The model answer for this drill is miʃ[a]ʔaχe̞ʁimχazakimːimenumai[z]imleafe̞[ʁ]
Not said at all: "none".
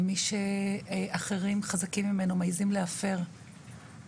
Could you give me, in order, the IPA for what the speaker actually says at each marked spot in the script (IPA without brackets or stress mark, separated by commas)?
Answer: e, z, ʁ